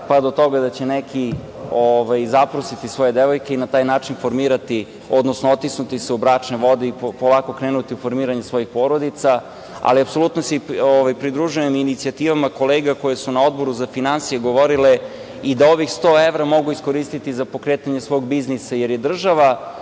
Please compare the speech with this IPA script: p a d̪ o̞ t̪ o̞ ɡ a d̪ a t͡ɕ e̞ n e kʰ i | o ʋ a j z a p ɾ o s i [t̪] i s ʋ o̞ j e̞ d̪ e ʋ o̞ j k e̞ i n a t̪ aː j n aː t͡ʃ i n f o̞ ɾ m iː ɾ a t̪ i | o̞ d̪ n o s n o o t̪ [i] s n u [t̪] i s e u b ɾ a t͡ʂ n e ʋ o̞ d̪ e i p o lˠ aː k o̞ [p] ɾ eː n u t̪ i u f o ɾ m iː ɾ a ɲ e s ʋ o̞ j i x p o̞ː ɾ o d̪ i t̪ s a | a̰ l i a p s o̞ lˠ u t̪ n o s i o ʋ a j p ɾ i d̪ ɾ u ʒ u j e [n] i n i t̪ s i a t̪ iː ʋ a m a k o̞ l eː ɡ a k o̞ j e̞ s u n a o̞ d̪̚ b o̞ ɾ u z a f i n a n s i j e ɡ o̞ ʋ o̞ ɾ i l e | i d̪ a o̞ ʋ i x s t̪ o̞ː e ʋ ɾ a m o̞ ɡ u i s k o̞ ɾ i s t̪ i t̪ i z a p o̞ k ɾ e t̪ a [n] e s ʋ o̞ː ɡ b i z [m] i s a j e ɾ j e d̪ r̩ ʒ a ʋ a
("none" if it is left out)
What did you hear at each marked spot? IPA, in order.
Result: t̪, i, t̪, k, m, ɲ, n

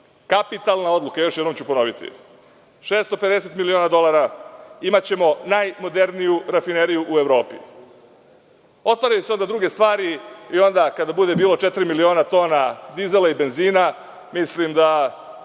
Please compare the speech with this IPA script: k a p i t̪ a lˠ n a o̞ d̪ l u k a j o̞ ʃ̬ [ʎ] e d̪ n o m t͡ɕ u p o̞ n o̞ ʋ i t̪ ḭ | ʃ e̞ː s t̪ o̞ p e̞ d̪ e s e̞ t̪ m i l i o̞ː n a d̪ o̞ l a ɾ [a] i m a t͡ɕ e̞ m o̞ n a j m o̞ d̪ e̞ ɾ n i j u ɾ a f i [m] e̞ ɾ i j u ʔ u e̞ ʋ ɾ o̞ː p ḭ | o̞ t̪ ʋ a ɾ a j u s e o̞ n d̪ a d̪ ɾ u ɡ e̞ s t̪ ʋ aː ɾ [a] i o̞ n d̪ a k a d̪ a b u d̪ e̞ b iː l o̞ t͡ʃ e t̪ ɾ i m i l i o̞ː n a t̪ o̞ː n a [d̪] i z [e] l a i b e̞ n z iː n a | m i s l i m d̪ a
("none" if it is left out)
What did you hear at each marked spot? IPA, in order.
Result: j, a, n, i, d̪, e

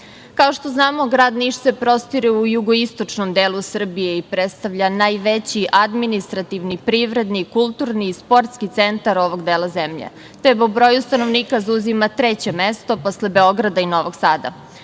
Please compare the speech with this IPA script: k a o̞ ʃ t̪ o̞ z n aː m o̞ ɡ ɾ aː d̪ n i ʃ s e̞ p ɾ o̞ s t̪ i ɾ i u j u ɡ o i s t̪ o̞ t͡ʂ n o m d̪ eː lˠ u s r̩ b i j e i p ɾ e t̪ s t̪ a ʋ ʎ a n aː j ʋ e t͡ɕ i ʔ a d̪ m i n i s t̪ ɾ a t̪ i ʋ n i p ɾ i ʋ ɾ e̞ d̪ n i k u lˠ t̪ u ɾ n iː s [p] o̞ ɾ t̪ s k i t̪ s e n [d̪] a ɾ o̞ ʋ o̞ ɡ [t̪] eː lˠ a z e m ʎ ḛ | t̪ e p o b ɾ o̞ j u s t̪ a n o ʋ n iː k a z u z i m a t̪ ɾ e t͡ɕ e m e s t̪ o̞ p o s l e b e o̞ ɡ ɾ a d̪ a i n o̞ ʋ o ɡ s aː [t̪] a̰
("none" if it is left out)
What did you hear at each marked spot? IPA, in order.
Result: p, t̪, d̪, d̪

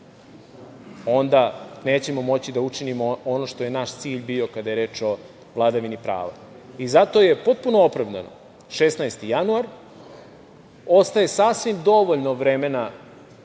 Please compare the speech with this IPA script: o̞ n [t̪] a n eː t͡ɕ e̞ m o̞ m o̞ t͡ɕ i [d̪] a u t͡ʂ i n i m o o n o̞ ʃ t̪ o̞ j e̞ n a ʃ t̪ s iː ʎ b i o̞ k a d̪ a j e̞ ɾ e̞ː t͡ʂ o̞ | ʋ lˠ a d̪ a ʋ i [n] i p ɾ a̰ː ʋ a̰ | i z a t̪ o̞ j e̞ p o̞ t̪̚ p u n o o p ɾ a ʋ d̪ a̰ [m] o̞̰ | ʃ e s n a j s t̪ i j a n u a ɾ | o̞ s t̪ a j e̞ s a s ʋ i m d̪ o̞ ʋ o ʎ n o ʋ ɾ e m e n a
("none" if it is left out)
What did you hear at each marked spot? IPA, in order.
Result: d̪, d̪, n, n

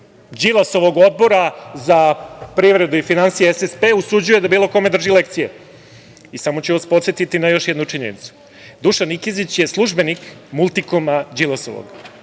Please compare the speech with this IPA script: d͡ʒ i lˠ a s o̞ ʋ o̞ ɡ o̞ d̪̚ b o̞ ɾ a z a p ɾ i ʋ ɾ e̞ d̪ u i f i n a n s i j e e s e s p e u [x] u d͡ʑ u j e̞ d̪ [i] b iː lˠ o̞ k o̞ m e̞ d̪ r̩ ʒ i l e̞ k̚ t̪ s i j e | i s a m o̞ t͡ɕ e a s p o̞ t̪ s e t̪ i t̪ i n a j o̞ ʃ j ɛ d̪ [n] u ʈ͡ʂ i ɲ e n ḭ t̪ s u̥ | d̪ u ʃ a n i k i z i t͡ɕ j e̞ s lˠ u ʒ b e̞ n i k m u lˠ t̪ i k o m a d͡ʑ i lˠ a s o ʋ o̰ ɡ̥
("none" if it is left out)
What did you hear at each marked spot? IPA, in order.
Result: s, a, n

